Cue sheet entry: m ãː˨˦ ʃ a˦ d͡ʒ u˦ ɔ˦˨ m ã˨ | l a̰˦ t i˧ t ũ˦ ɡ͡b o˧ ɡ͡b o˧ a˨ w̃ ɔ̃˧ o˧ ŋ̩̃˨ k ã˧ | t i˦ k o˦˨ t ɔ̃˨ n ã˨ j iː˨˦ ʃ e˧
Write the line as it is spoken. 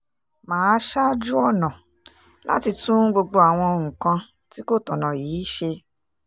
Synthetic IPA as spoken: m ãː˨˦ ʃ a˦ d͡ʒ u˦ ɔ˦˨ n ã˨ | l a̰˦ t i˧ t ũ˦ ɡ͡b o˧ ɡ͡b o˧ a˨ w̃ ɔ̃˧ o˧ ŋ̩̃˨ k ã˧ | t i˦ k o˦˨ t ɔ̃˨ n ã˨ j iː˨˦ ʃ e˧